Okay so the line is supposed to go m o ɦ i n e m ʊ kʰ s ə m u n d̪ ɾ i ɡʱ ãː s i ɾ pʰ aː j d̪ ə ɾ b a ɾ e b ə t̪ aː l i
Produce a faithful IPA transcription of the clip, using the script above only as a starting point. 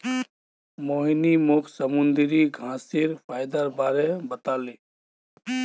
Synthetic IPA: m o ɦ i n i m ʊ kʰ s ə m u n d̪ ɾ i ɡʱ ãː s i ɾ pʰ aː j d̪ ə ɾ b a ɾ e b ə t̪ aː l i